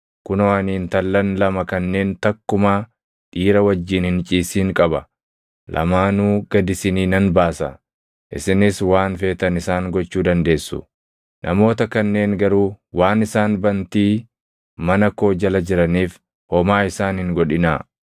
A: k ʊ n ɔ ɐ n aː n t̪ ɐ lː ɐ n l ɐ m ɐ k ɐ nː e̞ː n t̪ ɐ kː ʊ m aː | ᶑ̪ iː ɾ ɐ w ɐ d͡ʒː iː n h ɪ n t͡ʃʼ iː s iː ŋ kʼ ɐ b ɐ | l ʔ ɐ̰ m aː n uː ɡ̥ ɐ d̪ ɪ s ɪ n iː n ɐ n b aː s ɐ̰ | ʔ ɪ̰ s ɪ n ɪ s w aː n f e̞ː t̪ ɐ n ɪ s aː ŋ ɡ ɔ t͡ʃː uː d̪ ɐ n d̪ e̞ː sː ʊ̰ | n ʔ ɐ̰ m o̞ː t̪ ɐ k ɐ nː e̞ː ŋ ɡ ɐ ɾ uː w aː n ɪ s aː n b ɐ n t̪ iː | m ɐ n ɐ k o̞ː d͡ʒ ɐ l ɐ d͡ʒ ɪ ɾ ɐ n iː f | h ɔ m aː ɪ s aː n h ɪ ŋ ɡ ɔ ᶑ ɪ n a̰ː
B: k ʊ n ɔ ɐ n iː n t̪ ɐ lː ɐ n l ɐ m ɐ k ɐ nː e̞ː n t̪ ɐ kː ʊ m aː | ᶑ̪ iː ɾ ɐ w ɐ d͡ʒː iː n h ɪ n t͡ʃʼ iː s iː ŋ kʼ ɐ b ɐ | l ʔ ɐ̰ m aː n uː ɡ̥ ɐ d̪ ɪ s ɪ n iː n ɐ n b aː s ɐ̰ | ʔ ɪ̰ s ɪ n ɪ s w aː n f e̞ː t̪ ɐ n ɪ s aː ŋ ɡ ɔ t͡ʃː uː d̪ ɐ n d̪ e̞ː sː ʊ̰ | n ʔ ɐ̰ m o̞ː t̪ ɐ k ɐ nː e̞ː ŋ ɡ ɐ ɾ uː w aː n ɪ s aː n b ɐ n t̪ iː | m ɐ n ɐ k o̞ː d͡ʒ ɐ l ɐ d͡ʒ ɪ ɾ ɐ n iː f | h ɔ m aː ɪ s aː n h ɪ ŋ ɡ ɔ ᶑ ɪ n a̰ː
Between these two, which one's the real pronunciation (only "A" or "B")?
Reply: B